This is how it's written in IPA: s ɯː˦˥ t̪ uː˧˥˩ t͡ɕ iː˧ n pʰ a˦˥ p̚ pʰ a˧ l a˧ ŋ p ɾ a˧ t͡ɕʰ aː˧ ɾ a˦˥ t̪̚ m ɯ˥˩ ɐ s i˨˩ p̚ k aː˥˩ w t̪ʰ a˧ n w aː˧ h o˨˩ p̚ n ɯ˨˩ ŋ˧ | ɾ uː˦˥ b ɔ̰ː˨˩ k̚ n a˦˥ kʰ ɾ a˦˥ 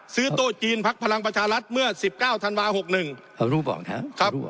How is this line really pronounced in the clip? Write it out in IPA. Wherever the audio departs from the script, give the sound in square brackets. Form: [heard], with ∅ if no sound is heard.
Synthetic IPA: s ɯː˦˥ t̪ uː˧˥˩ t͡ɕ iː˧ n pʰ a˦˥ [k̚] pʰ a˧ l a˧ ŋ p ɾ a˧ t͡ɕʰ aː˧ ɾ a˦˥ t̪̚ m ɯ˥˩ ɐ s i˨˩ p̚ k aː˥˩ w t̪ʰ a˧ n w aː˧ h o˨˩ [k̚] n ɯ˨˩ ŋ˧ | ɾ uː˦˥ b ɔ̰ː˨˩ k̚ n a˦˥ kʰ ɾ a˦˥